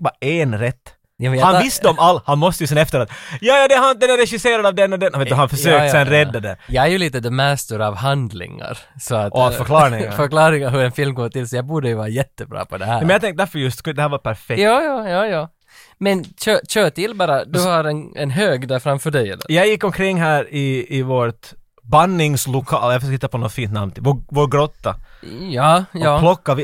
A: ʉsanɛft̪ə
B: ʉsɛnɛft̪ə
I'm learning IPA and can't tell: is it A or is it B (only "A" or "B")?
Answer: B